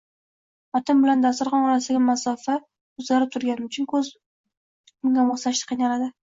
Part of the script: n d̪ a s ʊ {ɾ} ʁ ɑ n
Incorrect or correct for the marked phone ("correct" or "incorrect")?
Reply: correct